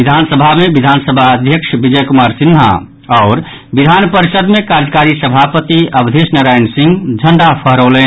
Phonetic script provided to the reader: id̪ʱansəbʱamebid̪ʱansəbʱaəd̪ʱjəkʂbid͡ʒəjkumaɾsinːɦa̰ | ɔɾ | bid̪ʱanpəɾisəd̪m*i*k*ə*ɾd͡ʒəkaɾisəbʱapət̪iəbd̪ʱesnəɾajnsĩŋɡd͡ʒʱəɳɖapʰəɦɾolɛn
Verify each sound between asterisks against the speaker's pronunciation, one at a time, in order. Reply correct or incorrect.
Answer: incorrect: e, incorrect: a

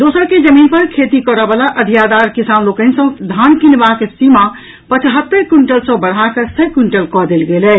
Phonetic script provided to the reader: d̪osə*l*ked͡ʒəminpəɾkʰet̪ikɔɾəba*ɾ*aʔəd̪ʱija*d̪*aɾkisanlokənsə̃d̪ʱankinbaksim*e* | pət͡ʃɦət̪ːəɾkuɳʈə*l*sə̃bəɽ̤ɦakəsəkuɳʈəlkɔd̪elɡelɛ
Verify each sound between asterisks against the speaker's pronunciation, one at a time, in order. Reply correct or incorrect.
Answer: incorrect: ɾ, incorrect: l, correct, incorrect: a, correct

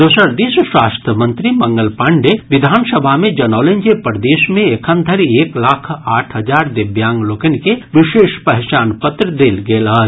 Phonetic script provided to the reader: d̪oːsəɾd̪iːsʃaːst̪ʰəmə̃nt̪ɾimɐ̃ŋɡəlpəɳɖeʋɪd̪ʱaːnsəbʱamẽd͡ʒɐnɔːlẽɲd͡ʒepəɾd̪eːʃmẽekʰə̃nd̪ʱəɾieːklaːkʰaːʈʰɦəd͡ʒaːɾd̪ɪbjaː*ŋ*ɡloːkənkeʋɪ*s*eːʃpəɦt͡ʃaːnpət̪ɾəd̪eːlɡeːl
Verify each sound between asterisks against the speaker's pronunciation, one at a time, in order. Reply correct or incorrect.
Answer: correct, incorrect: ʃ

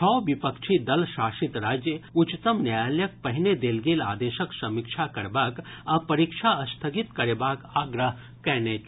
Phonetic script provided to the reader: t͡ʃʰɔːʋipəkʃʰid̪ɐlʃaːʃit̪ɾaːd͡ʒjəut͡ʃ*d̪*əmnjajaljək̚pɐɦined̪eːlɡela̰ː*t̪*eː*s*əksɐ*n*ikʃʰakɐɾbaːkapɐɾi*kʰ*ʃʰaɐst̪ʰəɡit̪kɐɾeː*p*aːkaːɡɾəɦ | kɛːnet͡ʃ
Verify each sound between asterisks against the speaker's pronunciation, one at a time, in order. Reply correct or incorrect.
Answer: incorrect: t̪, incorrect: d̪, incorrect: ʃ, incorrect: m, incorrect: k, incorrect: b

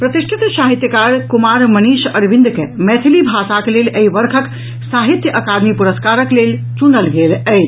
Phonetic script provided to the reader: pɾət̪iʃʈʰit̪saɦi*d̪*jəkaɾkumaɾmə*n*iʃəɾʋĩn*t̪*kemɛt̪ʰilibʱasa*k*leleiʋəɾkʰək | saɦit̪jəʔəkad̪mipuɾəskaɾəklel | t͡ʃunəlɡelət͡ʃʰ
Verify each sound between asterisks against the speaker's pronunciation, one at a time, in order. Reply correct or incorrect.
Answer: incorrect: t̪, correct, incorrect: d̪, correct

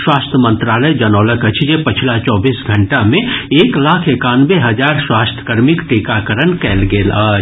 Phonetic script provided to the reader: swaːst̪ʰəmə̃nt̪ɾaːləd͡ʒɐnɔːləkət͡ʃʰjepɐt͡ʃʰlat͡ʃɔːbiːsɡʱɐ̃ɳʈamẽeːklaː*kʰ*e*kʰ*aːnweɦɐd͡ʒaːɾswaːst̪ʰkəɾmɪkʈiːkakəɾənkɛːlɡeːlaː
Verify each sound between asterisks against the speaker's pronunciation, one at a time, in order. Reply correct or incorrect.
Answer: correct, incorrect: k

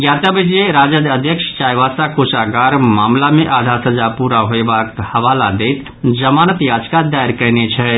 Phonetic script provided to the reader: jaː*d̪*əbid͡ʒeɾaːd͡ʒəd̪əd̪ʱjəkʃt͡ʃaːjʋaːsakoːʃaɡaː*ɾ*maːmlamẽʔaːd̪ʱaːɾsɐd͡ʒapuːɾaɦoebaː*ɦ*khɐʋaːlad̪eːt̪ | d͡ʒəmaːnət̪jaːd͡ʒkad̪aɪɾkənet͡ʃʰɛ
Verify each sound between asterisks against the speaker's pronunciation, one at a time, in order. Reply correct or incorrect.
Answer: incorrect: t̪, correct, incorrect: none

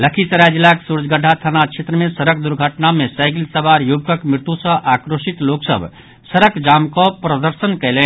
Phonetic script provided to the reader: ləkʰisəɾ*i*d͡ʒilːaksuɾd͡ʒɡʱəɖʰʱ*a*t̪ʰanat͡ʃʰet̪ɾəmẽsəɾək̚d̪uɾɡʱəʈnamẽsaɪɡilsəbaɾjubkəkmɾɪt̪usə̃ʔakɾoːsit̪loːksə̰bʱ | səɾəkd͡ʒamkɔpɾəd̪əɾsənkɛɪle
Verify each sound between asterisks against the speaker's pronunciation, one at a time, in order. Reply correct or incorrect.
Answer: incorrect: a, correct

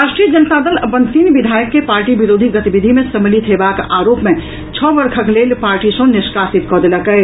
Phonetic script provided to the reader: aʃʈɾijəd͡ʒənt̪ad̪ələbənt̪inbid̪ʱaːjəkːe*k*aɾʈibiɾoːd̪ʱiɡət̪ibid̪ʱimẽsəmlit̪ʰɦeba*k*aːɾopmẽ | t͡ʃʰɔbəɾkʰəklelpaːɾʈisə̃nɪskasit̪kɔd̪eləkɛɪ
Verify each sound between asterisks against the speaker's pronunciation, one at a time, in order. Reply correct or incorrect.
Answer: incorrect: p, correct

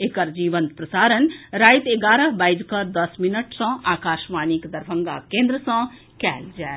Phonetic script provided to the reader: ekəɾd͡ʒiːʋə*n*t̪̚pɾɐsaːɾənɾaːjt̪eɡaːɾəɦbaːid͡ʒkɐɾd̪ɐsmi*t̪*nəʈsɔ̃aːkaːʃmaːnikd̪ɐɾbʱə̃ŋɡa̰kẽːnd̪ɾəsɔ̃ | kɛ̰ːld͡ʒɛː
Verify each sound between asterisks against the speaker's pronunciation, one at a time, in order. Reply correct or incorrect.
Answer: correct, incorrect: none

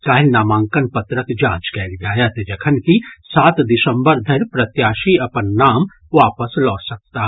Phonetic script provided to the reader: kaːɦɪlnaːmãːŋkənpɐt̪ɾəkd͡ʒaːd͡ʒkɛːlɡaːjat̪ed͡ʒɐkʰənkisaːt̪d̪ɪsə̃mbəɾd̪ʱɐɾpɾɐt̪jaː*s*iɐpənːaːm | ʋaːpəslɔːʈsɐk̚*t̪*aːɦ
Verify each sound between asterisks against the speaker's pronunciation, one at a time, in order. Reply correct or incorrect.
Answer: incorrect: ʃ, correct

